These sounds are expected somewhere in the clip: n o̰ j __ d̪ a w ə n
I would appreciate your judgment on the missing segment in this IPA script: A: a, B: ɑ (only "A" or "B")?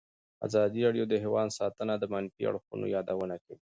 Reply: B